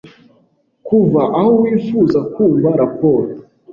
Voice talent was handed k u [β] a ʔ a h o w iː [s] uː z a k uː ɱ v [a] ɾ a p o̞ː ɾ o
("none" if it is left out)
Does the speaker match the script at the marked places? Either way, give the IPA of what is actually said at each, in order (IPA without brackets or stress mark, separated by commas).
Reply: v, f, a